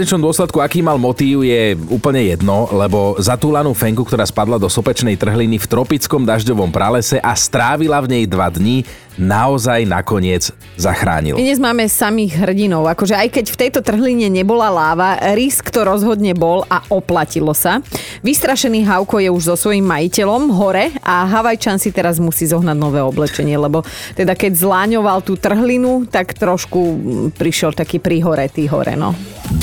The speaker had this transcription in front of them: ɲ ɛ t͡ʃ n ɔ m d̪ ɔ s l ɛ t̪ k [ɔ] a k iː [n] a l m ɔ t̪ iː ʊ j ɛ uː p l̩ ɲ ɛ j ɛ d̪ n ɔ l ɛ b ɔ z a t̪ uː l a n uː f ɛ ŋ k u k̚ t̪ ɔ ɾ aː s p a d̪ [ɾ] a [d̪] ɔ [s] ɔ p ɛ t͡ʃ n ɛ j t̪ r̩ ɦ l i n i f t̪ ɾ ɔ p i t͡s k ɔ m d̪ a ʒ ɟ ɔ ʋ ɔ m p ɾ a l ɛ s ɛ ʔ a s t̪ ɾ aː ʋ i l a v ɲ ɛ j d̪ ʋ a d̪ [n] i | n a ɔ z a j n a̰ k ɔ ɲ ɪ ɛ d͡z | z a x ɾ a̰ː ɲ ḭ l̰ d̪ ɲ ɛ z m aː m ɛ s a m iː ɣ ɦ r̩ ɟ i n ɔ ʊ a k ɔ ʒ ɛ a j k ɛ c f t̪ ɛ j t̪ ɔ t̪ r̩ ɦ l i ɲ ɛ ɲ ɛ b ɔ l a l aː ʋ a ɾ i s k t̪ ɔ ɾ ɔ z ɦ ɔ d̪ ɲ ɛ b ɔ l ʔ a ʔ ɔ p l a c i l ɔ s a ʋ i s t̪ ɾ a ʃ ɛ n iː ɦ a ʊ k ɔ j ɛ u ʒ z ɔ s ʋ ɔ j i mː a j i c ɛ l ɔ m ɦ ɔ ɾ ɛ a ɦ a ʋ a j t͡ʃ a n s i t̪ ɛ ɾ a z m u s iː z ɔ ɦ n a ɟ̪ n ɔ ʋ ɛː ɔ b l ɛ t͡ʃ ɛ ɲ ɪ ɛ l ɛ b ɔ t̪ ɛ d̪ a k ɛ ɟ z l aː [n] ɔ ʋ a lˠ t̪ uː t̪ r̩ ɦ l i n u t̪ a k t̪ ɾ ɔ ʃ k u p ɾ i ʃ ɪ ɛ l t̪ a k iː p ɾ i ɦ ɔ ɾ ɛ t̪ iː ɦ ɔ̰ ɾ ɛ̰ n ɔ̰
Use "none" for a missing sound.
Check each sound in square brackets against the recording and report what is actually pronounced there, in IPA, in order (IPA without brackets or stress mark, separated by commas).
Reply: u, m, l, d̪, s, ɲ, ɲ